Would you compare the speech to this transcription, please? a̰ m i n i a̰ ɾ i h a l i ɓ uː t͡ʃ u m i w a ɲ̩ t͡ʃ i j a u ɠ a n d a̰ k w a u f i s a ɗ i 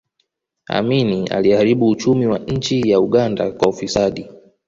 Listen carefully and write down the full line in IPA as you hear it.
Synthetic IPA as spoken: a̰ m i n i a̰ l i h a ɾ i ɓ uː t͡ʃ u m i w a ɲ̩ t͡ʃ i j a u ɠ a n d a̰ k w a u f i s a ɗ i